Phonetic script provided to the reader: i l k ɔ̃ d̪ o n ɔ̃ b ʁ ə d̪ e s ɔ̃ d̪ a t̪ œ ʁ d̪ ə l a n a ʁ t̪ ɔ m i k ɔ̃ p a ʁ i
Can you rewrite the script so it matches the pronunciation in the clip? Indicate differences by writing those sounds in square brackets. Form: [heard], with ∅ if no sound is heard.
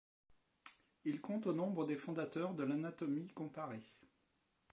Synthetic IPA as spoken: i l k ɔ̃ [t̪] o n ɔ̃ b ʁ ə d̪ e [f] ɔ̃ d̪ a t̪ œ ʁ d̪ ə l a n a [∅] t̪ ɔ m i k ɔ̃ p a ʁ [e]